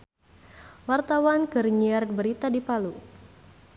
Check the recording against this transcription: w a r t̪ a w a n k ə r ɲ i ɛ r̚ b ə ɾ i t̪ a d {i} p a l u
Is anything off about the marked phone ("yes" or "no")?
no